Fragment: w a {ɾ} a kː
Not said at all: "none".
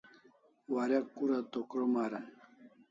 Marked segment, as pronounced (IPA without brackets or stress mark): ɾ